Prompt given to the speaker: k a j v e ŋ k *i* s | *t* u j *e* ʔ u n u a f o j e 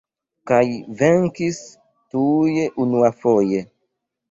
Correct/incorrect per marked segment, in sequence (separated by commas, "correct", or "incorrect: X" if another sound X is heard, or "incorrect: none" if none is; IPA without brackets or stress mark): correct, correct, correct